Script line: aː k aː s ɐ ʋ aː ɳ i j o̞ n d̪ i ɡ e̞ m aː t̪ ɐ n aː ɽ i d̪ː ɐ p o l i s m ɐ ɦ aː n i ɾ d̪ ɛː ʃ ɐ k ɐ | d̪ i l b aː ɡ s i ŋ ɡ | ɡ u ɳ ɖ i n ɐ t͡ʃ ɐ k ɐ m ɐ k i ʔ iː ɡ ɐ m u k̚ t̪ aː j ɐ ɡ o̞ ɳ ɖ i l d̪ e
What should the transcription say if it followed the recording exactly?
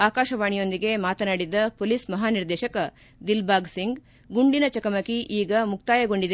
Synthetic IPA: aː k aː ʃ ɐ ʋ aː ɳ i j o̞ n d̪ i ɡ e̞ m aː t̪ ɐ n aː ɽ i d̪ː ɐ p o l i s m ɐ ɦ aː n i ɾ d̪ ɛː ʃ ɐ k ɐ | d̪ i l b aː ɡ s i ŋ ɡ | ɡ u ɳ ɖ i n ɐ t͡ʃ ɐ k ɐ m ɐ k i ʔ iː ɡ ɐ m u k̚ t̪ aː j ɐ ɡ o̞ ɳ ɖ i d̪ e